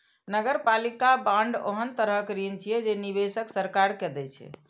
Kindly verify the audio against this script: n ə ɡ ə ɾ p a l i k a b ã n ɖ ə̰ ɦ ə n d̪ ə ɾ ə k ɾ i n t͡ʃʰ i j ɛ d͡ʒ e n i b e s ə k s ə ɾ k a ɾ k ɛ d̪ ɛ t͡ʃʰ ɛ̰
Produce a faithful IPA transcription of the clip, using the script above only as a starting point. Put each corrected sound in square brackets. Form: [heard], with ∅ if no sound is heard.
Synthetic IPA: n ə ɡ ə ɾ p a l i k a b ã [ɳ] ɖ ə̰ ɦ ə n [t̪] ə ɾ ə k ɾ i n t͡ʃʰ i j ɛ d͡ʒ e n i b e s ə k s ə ɾ k a ɾ k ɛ d̪ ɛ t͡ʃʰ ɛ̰